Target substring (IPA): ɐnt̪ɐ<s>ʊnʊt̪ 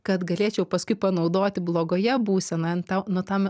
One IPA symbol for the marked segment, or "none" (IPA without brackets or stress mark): none